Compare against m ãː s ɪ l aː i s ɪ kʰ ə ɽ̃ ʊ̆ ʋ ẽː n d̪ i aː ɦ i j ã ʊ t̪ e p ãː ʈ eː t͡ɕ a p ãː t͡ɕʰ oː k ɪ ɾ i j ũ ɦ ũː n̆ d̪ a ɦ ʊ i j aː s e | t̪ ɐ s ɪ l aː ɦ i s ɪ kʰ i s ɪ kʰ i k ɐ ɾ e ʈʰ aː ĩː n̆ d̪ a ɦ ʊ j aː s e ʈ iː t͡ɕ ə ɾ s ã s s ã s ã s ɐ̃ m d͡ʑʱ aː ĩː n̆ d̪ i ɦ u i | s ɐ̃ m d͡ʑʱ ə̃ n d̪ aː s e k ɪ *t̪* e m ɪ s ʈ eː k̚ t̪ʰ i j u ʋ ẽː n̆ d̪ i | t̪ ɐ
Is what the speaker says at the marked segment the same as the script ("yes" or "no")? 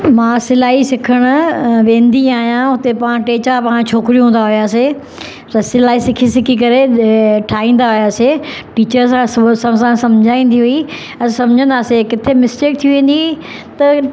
no